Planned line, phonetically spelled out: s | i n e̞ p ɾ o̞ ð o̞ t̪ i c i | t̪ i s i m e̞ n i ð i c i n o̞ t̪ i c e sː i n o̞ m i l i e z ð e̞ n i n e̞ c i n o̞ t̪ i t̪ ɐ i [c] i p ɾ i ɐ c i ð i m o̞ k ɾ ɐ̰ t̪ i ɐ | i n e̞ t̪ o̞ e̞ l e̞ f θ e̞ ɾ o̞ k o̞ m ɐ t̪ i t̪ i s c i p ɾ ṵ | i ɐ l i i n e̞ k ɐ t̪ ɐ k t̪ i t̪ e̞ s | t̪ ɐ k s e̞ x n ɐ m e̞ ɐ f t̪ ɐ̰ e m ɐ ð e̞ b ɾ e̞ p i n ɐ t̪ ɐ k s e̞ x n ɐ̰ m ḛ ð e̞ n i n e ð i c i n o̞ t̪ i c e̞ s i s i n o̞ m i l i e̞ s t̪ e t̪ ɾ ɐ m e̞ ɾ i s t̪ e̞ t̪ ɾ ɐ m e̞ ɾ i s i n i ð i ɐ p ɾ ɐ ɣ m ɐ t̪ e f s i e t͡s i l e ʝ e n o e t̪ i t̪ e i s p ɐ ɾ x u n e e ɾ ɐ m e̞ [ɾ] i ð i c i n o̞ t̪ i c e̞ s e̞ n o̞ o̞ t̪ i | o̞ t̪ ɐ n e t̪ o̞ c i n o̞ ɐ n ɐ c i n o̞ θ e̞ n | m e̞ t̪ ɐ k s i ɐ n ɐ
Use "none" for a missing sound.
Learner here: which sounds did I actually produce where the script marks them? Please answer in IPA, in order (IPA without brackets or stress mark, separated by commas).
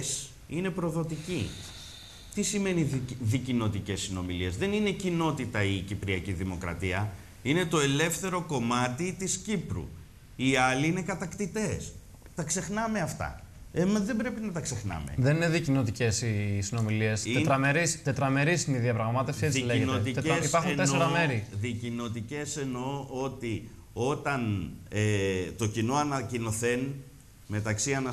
c, ɾ